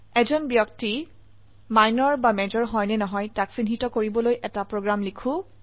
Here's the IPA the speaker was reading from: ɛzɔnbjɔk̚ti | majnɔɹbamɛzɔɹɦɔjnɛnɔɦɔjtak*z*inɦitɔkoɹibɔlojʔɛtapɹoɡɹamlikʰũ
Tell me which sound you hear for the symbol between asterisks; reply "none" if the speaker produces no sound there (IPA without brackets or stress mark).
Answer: s